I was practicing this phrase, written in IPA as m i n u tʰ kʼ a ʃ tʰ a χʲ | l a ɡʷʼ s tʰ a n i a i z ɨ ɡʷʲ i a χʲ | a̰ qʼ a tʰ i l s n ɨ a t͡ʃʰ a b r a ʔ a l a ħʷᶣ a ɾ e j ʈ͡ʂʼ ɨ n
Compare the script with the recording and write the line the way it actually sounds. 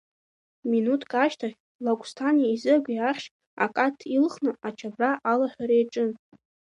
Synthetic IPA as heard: m i n u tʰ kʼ a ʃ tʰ a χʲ | l a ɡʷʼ s tʰ a n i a i z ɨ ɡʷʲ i a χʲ | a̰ kʼ a tʰ i l χ n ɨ a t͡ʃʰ a b r a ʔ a l a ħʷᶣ a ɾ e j ʈ͡ʂʼ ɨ n